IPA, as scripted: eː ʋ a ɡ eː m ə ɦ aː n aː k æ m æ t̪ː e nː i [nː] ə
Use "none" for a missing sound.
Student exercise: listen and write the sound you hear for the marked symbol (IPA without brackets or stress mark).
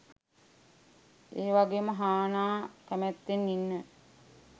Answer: nː